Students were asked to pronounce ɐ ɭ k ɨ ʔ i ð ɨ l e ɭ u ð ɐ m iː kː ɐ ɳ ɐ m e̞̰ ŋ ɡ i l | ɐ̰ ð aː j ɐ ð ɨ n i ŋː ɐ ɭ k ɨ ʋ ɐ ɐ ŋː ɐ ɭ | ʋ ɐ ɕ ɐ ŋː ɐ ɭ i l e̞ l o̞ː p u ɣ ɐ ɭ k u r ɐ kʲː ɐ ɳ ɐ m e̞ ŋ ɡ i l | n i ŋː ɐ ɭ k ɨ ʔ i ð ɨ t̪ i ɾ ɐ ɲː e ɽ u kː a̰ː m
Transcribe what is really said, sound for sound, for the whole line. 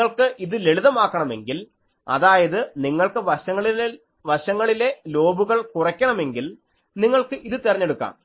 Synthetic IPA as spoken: ɐ ɭ k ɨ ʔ i ð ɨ l e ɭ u ð ɐ m aː kː ɐ ɳ ɐ m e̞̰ ŋ ɡ i l | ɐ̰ ð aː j ɐ ð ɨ n i ŋː ɐ ɭ k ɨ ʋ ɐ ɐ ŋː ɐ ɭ | ʋ ɐ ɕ ɐ ŋː ɐ ɭ i l e̞ l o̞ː b u ɣ ɐ ɭ k u r ɐ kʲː ɐ ɳ ɐ m e̞ ŋ ɡ i l | n i ŋː ɐ ɭ k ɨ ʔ i ð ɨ t̪ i r ɐ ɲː e ɽ u kː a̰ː m

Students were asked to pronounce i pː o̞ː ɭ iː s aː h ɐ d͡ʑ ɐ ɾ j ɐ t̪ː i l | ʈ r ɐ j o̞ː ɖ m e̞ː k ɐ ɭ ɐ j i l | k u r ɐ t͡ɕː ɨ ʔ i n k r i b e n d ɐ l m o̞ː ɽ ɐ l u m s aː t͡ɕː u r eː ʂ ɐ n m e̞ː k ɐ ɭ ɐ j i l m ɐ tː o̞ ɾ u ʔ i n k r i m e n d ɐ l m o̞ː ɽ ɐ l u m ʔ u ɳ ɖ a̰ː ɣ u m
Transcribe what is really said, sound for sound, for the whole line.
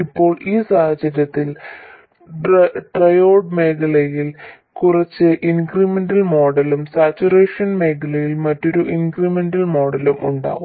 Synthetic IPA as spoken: i pː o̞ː ɭ iː s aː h ɐ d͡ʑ ɐ ɾ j ɐ t̪ː i l | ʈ r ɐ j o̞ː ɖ m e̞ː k ɐ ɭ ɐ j i l | k u r ɐ t͡ɕː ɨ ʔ i n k r i m e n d ɐ l m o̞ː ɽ ɐ l u m s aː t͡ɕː u r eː ʂ ɐ n m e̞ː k ɐ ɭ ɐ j i l m ɐ tː o̞ ɾ u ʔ i n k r i m e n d ɐ l m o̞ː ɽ ɐ l u m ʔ u ɳ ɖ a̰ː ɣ u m

